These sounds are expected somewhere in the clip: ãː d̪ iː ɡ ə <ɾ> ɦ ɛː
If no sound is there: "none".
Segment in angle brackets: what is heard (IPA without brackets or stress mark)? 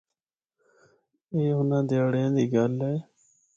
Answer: l